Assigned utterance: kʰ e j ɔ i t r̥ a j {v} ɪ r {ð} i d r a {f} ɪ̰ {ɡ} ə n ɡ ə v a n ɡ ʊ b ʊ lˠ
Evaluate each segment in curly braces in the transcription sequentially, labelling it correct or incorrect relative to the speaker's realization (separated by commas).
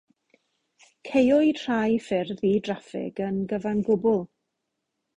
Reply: incorrect, correct, correct, correct